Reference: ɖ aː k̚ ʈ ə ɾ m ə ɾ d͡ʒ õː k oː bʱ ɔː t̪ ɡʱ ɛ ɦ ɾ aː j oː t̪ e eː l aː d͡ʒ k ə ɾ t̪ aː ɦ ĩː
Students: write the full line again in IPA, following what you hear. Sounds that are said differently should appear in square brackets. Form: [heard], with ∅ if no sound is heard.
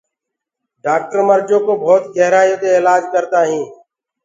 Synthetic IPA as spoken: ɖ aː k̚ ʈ ə ɾ m ə ɾ d͡ʒ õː k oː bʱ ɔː t̪ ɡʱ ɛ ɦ ɾ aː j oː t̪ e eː l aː d͡ʒ k ə ɾ t̪ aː ɦ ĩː